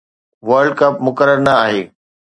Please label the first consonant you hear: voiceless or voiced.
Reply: voiced